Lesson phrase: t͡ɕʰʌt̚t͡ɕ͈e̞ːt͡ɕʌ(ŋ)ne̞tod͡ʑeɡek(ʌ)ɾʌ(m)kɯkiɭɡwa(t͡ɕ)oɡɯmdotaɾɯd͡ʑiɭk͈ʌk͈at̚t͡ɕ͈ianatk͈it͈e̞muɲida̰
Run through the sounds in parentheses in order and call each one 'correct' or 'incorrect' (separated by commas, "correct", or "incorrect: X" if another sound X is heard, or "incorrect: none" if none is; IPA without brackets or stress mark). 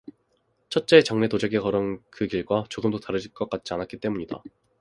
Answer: correct, correct, incorrect: n, correct